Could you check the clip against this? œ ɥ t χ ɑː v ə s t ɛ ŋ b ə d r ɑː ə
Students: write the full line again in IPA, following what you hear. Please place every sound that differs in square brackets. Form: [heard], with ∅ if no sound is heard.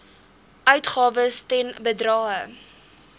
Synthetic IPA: œ ɥ t χ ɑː v ə s t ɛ [n] b ə d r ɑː ə